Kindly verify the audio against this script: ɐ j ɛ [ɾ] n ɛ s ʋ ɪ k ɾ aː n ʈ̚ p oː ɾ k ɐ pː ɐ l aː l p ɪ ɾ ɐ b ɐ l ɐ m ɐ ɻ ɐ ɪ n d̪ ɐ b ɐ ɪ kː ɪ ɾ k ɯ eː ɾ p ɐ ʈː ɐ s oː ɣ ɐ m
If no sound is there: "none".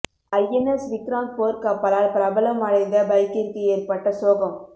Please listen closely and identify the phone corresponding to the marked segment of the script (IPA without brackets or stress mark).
none